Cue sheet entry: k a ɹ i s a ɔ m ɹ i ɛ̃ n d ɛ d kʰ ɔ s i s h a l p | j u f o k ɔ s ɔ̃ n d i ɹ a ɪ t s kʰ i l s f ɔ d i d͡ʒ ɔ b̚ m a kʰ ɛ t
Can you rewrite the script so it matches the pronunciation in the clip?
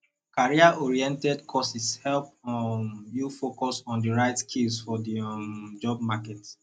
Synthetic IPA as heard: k a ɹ i a ɔ ɹ i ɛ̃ n t ɛ d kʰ ɔ s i s h ɛ l p | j u f o k ɔ s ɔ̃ n d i ɹ a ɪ t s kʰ i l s f ɔ d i d͡ʒ ɔ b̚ m a k ɛ t